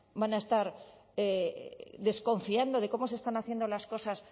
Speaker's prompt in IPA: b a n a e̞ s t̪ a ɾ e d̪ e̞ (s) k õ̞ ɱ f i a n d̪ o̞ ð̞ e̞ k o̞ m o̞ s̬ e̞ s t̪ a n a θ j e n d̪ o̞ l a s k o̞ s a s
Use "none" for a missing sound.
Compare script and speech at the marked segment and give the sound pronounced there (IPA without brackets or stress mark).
s